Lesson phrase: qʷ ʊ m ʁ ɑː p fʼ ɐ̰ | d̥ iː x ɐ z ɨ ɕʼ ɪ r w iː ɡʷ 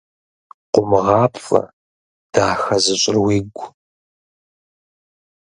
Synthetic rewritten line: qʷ ʊ m ʁ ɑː p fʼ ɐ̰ | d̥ aː x ɐ z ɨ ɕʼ ɪ r w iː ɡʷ